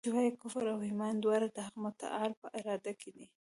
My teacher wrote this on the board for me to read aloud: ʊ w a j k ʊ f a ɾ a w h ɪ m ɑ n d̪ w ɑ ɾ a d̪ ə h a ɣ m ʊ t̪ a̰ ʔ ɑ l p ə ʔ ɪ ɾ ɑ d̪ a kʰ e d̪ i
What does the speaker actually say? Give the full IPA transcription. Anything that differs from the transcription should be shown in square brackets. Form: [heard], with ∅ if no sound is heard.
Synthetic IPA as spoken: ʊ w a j k ʊ f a ɾ a w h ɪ m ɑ n d̪ w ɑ ɾ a d̪ ə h a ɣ m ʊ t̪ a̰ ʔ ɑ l p ə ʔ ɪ ɾ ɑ d̪ a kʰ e d̪ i